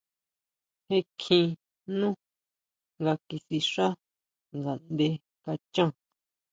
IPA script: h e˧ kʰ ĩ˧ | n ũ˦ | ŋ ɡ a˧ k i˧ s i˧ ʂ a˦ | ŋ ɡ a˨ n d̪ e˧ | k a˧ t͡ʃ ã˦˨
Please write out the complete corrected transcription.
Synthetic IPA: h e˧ kʰ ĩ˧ | n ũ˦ | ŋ ɡ a˧ k i˧ s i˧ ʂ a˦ | ŋ ɡ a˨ n d̪ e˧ | k a˧ t͡ʃ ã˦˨